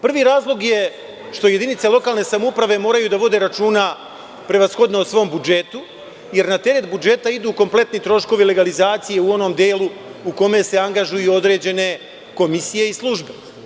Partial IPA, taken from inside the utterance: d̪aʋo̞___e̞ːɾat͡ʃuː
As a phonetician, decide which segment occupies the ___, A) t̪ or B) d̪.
B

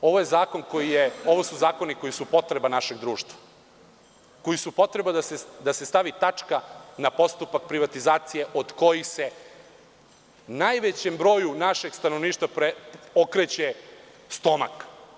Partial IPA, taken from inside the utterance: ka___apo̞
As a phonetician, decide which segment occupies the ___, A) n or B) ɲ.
A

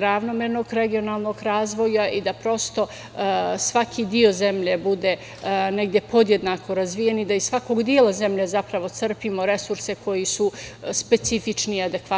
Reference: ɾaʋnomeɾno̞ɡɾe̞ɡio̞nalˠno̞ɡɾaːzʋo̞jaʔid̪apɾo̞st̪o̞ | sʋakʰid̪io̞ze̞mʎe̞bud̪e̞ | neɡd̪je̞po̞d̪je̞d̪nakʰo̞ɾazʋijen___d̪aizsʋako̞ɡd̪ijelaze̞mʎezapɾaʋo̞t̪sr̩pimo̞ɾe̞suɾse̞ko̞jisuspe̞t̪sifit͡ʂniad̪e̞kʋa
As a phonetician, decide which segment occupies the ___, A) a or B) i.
B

